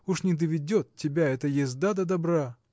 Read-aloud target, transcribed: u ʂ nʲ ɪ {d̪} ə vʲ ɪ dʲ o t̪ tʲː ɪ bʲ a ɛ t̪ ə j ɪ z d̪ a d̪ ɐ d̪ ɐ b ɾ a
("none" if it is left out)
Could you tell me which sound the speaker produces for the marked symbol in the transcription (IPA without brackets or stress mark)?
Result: d̪